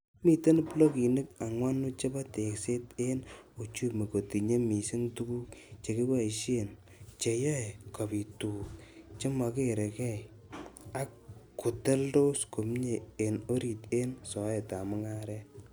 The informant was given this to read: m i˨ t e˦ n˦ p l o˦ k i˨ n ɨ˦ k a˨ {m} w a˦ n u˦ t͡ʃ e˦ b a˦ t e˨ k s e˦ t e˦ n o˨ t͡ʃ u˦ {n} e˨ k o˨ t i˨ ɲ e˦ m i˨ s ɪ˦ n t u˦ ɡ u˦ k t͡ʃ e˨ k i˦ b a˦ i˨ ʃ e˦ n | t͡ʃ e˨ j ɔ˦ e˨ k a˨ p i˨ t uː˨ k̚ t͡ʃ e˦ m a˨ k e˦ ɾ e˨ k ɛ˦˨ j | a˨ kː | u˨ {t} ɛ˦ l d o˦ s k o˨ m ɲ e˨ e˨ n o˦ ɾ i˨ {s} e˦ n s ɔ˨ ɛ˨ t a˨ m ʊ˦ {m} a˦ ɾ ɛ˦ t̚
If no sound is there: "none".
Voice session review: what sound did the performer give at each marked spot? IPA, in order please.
ŋ, m, t, t, ŋ

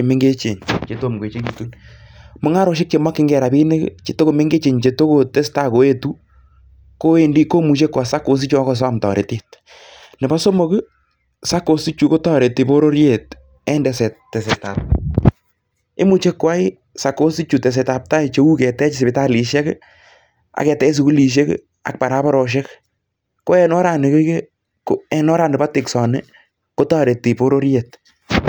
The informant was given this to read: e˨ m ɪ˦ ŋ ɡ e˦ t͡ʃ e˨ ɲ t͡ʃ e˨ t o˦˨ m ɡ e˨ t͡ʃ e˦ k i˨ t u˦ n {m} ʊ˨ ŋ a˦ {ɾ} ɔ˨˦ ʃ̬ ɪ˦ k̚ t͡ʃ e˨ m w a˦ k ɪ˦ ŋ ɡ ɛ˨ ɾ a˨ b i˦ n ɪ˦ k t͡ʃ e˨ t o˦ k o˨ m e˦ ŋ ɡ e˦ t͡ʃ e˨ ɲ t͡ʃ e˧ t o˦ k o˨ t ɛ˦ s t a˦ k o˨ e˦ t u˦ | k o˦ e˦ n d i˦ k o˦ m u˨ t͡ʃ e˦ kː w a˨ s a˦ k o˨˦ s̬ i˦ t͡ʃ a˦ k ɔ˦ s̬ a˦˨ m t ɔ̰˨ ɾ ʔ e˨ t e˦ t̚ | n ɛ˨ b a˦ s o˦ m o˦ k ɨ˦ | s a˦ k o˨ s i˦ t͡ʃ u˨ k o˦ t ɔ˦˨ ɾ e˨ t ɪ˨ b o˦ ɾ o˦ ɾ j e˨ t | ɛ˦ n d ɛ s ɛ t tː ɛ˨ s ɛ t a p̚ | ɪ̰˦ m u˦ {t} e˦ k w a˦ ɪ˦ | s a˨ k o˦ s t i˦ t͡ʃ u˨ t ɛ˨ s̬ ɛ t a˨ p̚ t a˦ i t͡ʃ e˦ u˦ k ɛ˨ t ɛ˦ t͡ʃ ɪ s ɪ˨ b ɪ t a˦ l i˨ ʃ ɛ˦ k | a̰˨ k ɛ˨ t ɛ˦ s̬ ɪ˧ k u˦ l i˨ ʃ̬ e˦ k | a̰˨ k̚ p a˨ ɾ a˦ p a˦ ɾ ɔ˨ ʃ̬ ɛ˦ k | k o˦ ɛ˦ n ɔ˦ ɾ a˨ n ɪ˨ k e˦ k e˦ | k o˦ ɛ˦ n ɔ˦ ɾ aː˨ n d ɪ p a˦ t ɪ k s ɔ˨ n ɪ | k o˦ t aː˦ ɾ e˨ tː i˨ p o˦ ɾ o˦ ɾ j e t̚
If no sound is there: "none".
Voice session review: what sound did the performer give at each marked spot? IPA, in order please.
m, ɾ, t͡ʃ

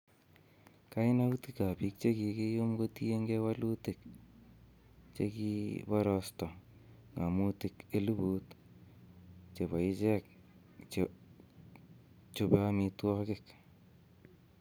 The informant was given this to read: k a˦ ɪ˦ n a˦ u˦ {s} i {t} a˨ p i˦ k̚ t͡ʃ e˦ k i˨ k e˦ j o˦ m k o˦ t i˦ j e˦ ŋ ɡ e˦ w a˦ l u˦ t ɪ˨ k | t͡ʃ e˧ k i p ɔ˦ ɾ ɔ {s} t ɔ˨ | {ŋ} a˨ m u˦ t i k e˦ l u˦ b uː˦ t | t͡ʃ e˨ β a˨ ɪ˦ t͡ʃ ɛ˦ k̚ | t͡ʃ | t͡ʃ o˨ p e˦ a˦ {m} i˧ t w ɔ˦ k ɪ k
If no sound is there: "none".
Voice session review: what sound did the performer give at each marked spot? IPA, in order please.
t, k, s, ŋ, m

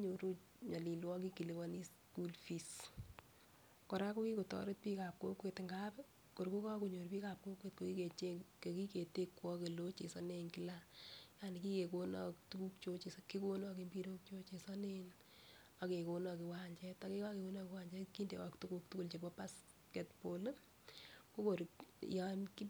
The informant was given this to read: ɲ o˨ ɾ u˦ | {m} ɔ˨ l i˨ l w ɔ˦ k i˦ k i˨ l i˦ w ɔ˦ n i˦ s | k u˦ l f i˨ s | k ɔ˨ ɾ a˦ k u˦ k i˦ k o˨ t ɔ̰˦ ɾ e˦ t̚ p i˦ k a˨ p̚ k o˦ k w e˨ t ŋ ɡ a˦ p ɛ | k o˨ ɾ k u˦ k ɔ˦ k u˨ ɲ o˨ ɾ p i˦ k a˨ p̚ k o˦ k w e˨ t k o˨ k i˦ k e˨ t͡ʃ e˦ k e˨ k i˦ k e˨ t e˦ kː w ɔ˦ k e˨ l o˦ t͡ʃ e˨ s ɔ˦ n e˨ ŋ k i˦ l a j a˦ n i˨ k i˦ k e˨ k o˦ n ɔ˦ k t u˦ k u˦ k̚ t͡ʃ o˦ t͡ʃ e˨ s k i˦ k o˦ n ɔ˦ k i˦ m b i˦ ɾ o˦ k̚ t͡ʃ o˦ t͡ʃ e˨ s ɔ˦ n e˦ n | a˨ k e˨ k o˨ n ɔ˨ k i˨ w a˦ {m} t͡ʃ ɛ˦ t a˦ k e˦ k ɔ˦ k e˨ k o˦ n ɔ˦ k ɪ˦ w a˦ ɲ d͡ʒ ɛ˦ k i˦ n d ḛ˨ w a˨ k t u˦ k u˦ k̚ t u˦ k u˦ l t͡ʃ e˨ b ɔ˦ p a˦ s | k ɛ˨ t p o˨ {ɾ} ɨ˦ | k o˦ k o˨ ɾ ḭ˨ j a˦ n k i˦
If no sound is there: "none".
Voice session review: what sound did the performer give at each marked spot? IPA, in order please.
ɲ, ɲ, l

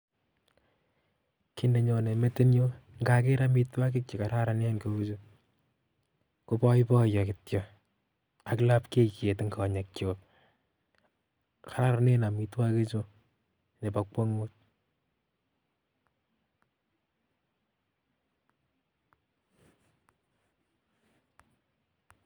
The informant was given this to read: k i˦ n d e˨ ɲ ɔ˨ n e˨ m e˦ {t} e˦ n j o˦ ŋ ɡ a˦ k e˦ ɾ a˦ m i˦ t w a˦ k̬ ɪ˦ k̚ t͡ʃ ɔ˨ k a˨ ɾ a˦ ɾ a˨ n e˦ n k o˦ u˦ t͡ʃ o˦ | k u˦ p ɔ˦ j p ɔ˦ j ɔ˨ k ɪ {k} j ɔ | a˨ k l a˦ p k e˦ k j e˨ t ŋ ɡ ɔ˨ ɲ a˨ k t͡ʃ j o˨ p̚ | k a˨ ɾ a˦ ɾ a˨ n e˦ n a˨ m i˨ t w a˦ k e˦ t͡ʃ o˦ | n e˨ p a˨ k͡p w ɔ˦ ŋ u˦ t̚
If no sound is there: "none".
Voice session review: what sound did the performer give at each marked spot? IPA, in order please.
t, t

